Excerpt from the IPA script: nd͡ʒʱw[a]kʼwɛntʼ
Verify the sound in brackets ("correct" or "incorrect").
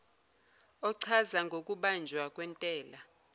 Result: correct